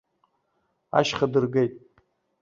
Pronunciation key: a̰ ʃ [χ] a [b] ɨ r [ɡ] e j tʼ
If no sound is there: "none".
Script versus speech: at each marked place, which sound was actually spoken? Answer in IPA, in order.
χ, d, ɡ

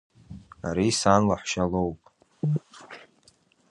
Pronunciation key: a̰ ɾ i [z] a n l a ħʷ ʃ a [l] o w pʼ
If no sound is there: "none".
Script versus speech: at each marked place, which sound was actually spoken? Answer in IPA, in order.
s, l

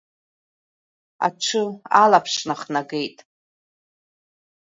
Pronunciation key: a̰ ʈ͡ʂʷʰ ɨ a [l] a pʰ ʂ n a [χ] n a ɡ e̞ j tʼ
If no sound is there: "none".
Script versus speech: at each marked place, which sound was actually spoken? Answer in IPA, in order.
l, χ

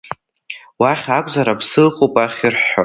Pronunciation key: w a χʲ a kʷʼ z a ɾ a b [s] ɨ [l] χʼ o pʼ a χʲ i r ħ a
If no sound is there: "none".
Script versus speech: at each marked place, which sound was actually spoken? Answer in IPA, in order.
s, l

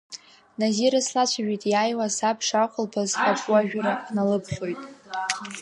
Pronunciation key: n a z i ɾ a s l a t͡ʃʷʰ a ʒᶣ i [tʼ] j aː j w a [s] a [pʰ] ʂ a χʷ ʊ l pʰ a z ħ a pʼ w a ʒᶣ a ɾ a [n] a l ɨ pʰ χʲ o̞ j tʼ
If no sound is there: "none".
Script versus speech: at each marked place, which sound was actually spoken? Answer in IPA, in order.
tʼ, s, pʰ, n

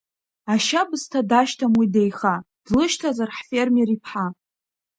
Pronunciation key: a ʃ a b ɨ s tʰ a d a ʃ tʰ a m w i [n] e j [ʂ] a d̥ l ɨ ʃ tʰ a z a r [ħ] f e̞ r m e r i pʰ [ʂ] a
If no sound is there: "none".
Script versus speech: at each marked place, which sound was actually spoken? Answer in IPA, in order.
d, χ, ħ, ħ

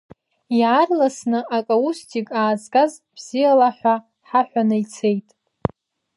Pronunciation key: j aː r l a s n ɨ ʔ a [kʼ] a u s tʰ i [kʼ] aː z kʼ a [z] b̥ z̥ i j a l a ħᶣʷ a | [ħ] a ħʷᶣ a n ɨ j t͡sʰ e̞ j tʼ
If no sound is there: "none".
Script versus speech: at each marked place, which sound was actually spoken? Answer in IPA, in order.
kʼ, kʼ, z, ħ

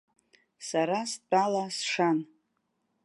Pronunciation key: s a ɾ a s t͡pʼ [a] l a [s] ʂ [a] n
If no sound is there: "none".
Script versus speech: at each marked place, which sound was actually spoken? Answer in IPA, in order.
a, s, a

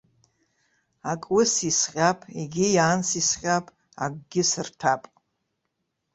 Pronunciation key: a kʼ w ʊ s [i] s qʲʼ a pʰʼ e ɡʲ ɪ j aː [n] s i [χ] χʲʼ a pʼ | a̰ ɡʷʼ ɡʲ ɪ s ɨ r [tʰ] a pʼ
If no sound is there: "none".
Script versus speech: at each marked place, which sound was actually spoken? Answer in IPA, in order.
i, n, s, tʰ

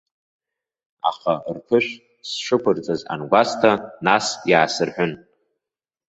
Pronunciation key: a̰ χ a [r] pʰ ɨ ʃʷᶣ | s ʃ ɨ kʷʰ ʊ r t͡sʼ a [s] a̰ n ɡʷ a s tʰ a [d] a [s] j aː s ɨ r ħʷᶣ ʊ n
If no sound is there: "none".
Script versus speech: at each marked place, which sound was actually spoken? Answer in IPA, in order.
r, z, n, s

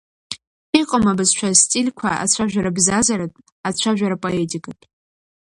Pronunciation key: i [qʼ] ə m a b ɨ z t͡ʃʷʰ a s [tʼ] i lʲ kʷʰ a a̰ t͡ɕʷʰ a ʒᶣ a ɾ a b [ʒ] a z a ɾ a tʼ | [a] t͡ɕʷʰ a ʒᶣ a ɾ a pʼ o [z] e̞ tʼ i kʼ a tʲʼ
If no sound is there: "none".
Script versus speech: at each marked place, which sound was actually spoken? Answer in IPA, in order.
qʼ, tʼ, z, a, none

